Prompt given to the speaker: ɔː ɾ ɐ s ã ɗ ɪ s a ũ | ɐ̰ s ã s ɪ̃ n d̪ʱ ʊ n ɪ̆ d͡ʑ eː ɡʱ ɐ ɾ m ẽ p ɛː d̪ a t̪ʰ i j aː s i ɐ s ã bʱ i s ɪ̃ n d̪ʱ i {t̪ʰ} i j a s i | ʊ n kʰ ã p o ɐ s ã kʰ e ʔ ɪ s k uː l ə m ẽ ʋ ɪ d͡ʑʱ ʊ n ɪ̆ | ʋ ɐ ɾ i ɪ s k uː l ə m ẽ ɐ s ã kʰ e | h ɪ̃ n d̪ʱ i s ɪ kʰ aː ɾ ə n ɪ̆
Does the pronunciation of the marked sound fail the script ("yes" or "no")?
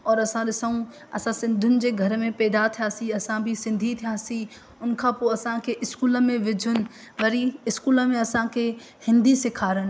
no